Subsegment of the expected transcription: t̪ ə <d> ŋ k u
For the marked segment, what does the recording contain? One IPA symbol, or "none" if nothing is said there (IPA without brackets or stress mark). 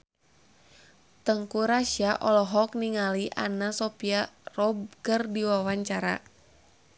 none